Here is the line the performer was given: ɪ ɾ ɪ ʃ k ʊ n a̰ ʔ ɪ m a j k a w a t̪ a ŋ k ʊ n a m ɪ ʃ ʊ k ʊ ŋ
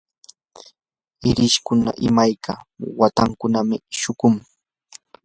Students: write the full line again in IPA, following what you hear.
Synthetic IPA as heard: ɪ ɾ ɪ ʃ k ʊ n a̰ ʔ ɪ m a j k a w a t̪ a ŋ k ʊ n a m ɪ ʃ ʊ k ʊ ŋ